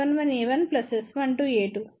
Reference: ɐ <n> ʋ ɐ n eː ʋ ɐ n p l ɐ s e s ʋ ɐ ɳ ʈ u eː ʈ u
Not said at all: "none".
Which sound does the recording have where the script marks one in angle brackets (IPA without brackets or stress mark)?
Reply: n